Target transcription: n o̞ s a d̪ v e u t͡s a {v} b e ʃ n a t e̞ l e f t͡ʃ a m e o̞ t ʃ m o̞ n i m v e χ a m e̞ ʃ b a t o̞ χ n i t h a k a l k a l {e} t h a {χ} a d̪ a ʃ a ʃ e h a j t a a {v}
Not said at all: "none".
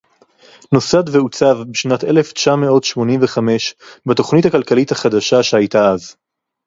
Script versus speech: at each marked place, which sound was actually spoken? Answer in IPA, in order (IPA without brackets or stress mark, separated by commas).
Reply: v, i, χ, z